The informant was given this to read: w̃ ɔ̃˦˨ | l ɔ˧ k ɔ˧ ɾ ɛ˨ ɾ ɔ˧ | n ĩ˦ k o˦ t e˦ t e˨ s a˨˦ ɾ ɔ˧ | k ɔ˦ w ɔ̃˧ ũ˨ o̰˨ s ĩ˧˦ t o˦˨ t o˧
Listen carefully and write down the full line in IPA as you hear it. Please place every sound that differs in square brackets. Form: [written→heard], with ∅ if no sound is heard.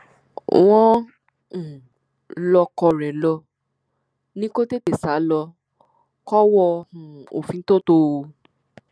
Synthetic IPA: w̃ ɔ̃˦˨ | l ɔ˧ k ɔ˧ ɾ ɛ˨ [ɾ→l] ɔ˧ | n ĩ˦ k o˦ t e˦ t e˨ s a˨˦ [ɾ→l] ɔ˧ | k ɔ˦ w [ɔ̃˧→ɔ˧] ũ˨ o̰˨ [s→f] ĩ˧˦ t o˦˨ t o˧